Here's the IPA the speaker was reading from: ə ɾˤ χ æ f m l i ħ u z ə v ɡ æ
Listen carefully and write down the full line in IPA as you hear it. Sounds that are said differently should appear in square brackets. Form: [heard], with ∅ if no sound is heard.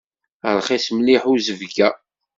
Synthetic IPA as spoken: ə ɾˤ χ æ [s] m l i ħ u z ə v ɡ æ